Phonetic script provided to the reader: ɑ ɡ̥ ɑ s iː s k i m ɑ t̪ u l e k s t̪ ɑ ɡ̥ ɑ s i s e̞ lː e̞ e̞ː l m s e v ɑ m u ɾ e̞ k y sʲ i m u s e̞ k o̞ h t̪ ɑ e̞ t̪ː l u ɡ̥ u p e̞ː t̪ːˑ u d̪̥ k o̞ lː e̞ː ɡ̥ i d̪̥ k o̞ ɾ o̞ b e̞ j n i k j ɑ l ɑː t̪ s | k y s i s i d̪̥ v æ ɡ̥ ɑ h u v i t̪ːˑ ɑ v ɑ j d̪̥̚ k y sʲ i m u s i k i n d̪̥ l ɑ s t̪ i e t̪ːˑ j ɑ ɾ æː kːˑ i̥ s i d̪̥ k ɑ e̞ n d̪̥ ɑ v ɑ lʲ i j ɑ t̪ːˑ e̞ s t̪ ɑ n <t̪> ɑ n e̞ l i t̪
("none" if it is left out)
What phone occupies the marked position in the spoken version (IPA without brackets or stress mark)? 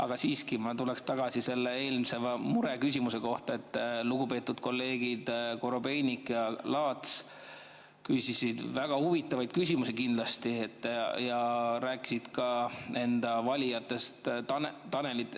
t̪